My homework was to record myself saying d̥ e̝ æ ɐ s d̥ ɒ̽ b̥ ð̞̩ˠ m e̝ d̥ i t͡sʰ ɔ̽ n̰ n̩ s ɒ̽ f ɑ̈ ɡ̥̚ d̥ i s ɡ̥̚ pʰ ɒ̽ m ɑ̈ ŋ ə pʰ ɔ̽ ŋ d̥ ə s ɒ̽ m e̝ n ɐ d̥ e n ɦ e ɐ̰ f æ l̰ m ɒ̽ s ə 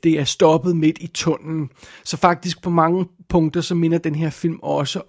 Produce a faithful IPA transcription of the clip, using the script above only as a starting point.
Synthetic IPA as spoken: d̥ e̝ æ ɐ s d̥ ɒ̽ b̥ ð̞̩ˠ m e̝ d̥ i t͡sʰ ɔ̽ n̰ n̩ s ɒ̽ f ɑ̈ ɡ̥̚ d̥ i s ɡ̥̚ pʰ ɒ̽ m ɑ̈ ŋ ə pʰ ɔ̽ ŋ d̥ ɐ s ɒ̽ m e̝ n ɐ d̥ e n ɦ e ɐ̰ f i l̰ m ɒ̽ s ə